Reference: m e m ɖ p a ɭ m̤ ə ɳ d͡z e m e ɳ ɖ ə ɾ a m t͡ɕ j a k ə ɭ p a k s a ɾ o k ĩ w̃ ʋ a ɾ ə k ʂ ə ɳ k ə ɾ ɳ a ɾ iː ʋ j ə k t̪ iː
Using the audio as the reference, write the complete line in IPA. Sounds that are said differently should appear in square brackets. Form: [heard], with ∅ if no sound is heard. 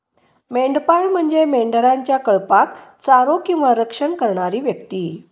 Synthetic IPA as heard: m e [ɳ] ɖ p a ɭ m̤ ə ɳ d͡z e m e ɳ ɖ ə ɾ a [ɲ] t͡ɕ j a k ə ɭ p a k [t͡s] a ɾ o k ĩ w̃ ʋ a ɾ ə k ʂ ə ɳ k ə ɾ ɳ a ɾ iː ʋ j ə k t̪ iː